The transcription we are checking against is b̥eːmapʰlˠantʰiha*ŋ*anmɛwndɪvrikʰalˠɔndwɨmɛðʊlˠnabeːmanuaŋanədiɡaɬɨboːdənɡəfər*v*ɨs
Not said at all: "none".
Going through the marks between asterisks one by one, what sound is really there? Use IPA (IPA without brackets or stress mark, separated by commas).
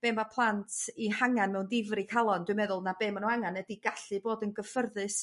ŋ, ð